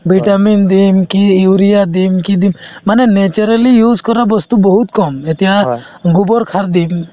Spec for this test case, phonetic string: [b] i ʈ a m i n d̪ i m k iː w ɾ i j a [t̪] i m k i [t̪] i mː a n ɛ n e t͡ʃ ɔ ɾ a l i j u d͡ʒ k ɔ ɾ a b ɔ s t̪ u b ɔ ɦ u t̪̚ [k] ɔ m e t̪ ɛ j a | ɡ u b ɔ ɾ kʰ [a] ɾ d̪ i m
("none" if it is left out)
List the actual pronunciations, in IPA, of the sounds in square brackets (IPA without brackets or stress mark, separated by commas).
b, d̪, d̪, k, a